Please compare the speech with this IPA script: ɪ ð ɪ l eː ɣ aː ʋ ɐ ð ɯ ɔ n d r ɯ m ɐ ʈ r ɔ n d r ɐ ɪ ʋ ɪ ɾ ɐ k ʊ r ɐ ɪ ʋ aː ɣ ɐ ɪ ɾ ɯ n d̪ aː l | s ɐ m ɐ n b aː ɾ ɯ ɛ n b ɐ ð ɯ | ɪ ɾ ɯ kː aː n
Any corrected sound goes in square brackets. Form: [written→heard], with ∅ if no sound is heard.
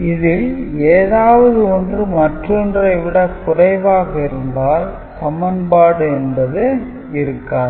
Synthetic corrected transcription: ɪ ð ɪ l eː [ɣ→ð] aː ʋ ɐ ð ɯ ɔ n d r ɯ m ɐ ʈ r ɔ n d r ɐ ɪ ʋ ɪ [ɾ→ɽ] ɐ k ʊ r ɐ ɪ ʋ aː ɣ ɐ ɪ ɾ ɯ n d̪ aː l | s ɐ m ɐ n b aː [ɾ→ɽ] ɯ ɛ n b ɐ ð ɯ | ɪ ɾ ɯ kː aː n

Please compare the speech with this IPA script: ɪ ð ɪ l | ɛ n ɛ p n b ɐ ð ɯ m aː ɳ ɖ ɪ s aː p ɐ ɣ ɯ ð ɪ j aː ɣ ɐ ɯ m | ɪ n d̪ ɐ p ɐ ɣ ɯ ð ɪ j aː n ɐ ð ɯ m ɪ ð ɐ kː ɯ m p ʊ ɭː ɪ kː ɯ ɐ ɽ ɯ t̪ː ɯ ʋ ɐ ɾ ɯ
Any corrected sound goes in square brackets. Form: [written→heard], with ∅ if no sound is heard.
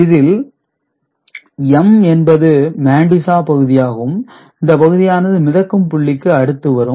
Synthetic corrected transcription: ɪ ð ɪ l | ɛ [n→m] ɛ [p→∅] n b ɐ ð ɯ m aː ɳ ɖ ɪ s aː p ɐ ɣ ɯ ð ɪ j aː ɣ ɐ ɯ m | ɪ n d̪ ɐ p ɐ ɣ ɯ ð ɪ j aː n ɐ ð ɯ m ɪ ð ɐ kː ɯ m p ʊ ɭː ɪ kː ɯ ɐ ɽ ɯ t̪ː ɯ ʋ ɐ ɾ ɯ

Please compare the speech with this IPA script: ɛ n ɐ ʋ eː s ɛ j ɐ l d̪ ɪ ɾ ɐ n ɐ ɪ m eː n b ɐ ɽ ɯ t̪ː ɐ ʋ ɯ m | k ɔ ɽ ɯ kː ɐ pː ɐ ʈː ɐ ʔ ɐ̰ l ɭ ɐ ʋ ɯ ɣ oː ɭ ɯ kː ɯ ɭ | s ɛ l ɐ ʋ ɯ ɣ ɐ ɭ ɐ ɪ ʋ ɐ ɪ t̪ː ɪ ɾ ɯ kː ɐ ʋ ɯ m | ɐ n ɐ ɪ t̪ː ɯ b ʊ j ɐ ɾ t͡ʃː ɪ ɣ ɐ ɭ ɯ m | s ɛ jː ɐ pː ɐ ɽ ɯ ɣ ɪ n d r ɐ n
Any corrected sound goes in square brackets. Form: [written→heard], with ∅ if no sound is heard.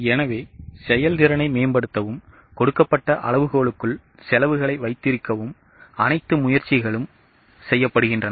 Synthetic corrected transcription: ɛ n ɐ ʋ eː s ɛ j ɐ l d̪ ɪ ɾ ɐ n ɐ ɪ m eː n b ɐ ɽ ɯ t̪ː ɐ ʋ ɯ m | k ɔ ɽ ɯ kː ɐ pː ɐ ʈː ɐ ʔ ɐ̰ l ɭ ɐ ʋ ɯ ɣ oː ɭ ɯ kː ɯ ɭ | s ɛ l ɐ ʋ ɯ ɣ ɐ ɭ ɐ ɪ ʋ ɐ ɪ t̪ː ɪ ɾ ɯ kː ɐ ʋ ɯ m | ɐ n ɐ ɪ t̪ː ɯ [b→m] ʊ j ɐ ɾ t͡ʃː ɪ ɣ ɐ ɭ ɯ m | s ɛ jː ɐ pː ɐ ɽ ɯ ɣ ɪ n d r ɐ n

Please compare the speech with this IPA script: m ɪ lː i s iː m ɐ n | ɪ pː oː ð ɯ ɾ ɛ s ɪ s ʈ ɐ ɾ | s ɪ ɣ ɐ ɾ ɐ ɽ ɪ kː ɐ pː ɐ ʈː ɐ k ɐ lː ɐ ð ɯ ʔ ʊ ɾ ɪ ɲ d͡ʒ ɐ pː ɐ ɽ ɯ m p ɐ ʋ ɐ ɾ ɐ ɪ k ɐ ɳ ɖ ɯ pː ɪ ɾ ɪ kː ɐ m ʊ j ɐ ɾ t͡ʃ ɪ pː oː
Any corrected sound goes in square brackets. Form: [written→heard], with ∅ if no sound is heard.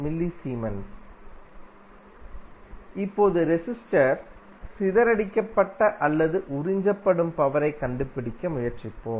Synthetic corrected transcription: m ɪ lː i s iː m ɐ n | ɪ pː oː ð ɯ ɾ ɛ s ɪ s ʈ ɐ ɾ | s ɪ [ɣ→ð] ɐ ɾ ɐ ɽ ɪ kː ɐ pː ɐ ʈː ɐ [k→ʔ] ɐ lː ɐ ð ɯ ʔ ʊ ɾ ɪ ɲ d͡ʒ ɐ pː ɐ ɽ ɯ m p ɐ ʋ ɐ ɾ ɐ ɪ k ɐ ɳ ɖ ɯ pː ɪ [ɾ→ɽ] ɪ kː ɐ m ʊ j ɐ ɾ t͡ʃ ɪ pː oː

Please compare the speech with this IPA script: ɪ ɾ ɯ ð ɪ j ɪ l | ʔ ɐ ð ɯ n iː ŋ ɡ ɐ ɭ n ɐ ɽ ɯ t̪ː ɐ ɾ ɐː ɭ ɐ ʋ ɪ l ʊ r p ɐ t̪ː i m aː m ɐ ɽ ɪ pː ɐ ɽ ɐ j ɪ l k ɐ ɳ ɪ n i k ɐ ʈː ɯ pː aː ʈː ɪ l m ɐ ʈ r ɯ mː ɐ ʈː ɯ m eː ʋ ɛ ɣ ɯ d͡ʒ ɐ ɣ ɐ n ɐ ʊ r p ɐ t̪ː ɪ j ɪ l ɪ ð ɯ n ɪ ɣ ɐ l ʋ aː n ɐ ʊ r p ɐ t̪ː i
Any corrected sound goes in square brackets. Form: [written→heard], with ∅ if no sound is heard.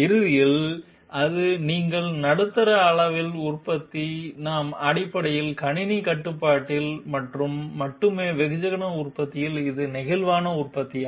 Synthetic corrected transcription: ɪ ɾ ɯ ð ɪ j ɪ l | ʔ ɐ ð ɯ n iː ŋ ɡ ɐ ɭ n ɐ ɽ ɯ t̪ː ɐ ɾ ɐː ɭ ɐ ʋ ɪ l ʊ r p ɐ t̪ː i [m→n] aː m ɐ ɽ ɪ pː ɐ ɽ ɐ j ɪ l k ɐ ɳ ɪ n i k ɐ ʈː ɯ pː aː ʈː ɪ l m ɐ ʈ r ɯ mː ɐ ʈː ɯ m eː ʋ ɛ ɣ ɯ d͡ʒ ɐ ɣ ɐ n ɐ ʊ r p ɐ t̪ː ɪ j ɪ l ɪ ð ɯ n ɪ ɣ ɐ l ʋ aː n ɐ ʊ r p ɐ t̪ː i

